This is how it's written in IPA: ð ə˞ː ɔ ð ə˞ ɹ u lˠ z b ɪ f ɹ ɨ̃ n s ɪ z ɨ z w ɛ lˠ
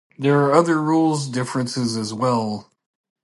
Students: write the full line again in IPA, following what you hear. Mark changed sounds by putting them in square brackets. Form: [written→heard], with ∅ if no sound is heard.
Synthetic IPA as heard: ð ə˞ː [ɔ→ʌ] ð ə˞ ɹ u lˠ z [b→d] ɪ f ɹ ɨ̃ n s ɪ z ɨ z w ɛ lˠ